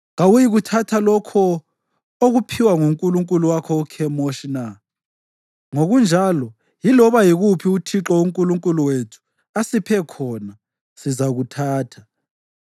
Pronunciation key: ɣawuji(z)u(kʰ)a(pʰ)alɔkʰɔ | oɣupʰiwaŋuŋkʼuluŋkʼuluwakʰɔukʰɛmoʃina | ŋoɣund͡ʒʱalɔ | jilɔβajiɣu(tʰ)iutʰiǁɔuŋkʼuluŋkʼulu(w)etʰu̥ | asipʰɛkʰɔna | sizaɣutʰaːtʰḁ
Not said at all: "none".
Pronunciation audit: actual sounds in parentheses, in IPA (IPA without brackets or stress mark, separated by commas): ɣ, tʰ, tʰ, pʰ, w